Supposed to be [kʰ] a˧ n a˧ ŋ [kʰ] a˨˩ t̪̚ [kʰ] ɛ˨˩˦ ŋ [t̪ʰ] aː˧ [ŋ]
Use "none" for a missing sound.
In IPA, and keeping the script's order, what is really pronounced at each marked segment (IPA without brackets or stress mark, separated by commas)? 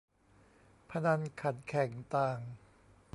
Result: pʰ, kʰ, kʰ, t̪, ŋ